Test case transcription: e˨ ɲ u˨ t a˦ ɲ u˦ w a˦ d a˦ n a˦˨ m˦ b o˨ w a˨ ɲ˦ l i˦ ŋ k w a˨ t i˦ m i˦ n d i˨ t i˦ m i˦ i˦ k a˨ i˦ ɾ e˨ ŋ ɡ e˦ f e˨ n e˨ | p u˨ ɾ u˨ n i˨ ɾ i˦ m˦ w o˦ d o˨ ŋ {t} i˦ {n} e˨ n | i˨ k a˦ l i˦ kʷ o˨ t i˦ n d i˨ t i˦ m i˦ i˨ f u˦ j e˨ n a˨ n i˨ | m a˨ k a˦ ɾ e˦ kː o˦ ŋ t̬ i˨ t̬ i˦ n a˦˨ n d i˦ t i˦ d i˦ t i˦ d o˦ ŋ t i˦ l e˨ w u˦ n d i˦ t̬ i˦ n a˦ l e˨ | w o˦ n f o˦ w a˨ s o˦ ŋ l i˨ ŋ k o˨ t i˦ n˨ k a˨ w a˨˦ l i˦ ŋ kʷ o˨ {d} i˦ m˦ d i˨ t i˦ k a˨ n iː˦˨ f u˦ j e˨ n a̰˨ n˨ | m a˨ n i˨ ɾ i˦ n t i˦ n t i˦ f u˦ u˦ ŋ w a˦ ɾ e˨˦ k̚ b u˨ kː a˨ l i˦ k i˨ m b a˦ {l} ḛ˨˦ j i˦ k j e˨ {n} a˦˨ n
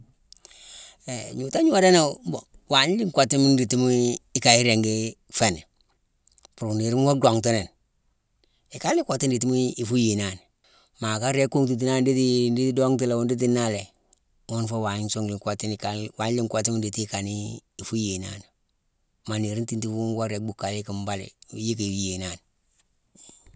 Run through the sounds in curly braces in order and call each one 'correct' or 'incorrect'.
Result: correct, correct, incorrect, correct, correct

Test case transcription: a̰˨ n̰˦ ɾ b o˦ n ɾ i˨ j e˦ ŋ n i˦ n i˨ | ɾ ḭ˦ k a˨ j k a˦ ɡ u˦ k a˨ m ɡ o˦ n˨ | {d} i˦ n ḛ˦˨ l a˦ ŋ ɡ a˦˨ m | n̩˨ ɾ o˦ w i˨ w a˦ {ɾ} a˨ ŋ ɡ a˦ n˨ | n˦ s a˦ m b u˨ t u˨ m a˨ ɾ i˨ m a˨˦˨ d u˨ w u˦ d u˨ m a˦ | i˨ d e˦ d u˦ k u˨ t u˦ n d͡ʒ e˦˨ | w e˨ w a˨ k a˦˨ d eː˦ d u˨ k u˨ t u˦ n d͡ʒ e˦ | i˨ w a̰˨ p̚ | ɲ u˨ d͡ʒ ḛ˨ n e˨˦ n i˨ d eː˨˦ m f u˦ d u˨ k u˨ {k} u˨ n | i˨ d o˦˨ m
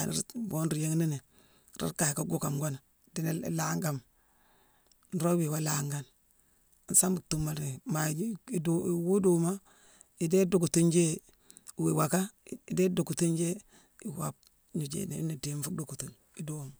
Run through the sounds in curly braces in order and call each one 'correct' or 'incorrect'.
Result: correct, incorrect, incorrect

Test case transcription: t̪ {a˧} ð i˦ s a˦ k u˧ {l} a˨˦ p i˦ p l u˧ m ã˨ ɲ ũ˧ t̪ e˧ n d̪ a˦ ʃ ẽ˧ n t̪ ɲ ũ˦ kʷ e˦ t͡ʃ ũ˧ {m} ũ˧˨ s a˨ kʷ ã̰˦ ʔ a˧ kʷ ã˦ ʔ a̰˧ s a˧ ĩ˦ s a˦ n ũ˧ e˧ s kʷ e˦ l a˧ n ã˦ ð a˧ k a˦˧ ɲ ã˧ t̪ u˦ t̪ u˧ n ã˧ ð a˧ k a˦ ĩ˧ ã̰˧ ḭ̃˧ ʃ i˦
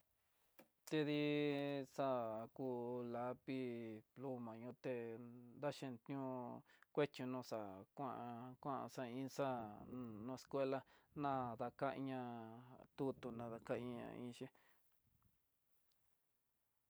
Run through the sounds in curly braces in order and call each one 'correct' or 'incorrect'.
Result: incorrect, correct, incorrect

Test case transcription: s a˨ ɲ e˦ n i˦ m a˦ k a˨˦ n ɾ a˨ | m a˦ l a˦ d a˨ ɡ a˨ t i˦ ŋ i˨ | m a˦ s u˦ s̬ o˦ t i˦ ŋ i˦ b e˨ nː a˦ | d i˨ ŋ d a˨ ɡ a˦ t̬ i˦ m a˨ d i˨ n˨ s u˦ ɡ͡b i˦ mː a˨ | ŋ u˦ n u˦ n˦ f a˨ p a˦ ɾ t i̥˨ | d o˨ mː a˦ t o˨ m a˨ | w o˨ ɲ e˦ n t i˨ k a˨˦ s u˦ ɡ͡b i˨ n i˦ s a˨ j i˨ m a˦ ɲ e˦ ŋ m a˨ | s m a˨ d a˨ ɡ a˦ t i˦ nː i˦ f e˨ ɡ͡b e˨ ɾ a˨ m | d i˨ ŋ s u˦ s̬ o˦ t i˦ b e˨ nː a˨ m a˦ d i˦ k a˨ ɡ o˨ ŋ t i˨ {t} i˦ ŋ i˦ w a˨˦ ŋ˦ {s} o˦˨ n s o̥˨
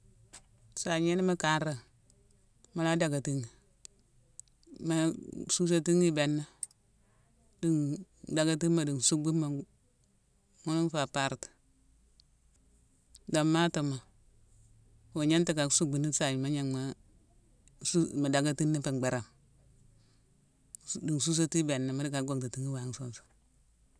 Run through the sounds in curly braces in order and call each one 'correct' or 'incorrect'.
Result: correct, correct

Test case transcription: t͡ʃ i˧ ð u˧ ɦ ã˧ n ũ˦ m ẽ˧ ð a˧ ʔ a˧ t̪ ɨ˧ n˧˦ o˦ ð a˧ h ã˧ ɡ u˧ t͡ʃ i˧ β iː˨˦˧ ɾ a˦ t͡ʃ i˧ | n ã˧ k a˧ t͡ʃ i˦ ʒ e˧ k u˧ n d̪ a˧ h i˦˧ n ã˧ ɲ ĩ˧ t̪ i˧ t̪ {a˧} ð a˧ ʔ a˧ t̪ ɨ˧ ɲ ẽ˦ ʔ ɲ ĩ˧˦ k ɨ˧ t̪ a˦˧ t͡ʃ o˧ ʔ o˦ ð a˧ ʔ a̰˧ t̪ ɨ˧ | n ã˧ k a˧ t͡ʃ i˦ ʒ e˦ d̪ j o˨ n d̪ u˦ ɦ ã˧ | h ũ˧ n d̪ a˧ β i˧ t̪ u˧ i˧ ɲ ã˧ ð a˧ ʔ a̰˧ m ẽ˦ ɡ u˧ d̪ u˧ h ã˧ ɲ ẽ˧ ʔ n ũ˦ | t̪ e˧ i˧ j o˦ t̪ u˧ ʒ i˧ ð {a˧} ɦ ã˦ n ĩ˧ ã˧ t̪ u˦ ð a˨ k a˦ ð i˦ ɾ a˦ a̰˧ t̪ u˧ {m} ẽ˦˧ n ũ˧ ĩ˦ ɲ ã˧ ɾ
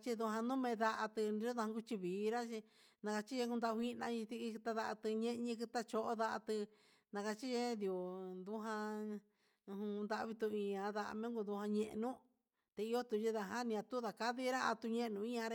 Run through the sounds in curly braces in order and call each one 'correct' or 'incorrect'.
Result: correct, correct, incorrect

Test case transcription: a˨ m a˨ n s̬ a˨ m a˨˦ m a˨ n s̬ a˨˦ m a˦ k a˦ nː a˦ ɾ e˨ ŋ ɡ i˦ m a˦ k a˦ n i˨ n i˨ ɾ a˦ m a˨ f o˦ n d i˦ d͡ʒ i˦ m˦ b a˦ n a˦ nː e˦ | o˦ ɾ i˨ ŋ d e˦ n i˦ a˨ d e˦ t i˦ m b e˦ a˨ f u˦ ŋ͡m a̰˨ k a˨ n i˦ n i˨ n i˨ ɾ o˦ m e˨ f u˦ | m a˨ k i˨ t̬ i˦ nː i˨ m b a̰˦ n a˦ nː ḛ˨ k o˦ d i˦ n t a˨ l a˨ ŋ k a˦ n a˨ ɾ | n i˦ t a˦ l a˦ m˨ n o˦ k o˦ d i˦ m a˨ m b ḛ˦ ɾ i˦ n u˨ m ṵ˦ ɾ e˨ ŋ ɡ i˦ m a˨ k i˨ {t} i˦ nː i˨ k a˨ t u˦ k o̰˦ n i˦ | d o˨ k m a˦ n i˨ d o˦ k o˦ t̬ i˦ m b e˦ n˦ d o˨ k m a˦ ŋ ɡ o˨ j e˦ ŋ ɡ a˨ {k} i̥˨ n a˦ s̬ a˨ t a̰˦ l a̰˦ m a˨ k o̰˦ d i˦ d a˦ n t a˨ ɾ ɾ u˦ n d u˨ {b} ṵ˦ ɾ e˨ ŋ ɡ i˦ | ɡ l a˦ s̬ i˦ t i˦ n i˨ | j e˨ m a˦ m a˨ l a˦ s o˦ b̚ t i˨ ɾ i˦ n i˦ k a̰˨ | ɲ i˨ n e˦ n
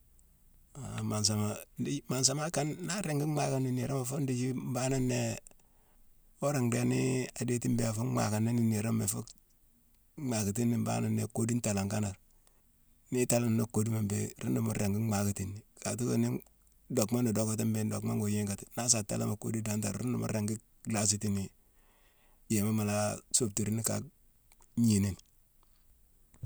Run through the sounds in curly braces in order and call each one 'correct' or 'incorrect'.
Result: correct, incorrect, incorrect

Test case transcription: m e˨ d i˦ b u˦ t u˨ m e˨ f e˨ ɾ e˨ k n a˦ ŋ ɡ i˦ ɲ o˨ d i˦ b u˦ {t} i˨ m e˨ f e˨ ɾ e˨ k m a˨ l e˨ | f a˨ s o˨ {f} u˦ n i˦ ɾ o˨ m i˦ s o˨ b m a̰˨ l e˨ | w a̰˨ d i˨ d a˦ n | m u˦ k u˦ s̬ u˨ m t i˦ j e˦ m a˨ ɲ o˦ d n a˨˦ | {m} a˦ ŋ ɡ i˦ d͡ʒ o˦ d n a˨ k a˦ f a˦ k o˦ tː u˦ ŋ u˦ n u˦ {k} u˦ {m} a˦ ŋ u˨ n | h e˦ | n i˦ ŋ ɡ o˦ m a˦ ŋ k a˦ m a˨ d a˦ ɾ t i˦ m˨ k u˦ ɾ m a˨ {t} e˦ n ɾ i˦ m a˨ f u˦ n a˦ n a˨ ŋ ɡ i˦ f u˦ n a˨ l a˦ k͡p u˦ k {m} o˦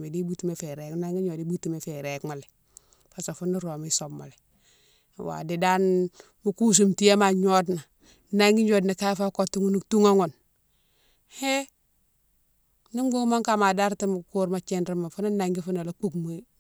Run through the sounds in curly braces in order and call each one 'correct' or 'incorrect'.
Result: correct, correct, incorrect, incorrect, incorrect, incorrect, correct

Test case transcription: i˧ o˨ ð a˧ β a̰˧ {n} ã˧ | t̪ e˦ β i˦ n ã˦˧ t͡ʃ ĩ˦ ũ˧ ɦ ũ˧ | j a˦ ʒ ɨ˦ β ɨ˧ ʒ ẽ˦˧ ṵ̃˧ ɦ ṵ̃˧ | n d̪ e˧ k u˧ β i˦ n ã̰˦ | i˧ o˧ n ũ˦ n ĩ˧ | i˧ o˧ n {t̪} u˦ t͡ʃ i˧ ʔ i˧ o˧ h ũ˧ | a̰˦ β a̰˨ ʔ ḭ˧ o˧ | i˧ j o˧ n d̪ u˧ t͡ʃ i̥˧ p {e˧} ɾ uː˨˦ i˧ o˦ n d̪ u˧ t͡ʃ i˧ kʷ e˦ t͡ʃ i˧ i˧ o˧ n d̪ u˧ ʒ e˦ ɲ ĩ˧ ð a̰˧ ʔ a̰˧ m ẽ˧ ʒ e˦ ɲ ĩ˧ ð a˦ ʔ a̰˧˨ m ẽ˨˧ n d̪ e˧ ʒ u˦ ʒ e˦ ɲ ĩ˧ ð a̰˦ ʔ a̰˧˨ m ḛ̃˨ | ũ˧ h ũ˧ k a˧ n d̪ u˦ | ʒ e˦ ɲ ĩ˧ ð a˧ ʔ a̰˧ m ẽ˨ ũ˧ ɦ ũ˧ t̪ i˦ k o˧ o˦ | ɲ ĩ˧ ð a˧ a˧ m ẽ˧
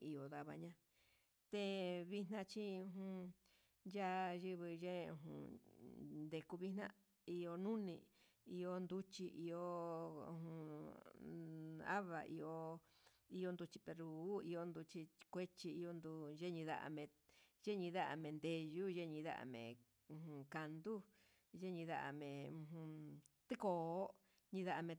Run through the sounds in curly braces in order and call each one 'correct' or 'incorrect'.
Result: incorrect, incorrect, correct

